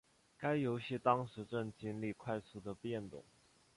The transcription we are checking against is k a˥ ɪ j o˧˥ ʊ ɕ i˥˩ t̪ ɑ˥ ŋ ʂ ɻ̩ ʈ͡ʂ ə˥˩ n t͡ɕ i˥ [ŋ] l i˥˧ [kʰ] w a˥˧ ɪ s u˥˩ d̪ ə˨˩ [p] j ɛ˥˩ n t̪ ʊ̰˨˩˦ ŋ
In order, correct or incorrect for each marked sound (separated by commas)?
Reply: incorrect, correct, correct